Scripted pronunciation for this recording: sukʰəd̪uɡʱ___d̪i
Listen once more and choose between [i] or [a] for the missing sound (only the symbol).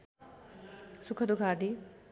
a